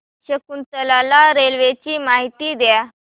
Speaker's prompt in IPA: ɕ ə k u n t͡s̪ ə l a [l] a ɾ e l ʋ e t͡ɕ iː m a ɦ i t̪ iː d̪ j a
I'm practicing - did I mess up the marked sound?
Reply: no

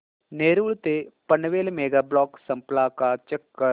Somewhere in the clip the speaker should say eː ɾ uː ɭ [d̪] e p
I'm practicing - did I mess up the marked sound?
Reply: yes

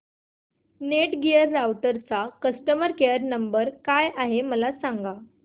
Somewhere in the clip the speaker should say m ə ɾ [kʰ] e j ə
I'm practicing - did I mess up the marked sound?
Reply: yes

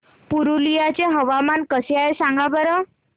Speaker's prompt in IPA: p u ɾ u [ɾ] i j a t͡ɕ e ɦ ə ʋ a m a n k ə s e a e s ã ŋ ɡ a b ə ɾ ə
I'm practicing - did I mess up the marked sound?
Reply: yes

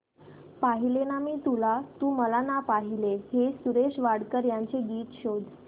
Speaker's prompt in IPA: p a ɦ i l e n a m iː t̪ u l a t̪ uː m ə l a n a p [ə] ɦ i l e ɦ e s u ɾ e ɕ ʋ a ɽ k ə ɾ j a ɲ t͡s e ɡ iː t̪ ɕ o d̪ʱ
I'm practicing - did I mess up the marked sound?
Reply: yes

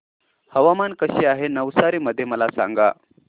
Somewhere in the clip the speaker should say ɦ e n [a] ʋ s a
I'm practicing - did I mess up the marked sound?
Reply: yes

